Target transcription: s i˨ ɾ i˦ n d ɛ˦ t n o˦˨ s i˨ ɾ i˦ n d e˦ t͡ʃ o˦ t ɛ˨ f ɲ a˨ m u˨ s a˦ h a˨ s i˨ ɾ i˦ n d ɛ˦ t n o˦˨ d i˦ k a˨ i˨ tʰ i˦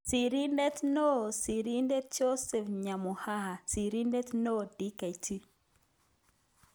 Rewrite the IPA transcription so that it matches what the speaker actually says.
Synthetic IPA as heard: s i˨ ɾ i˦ n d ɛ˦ t n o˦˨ s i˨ ɾ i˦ n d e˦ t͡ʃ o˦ s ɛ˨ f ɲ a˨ m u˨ h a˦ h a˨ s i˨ ɾ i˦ n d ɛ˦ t n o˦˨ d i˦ k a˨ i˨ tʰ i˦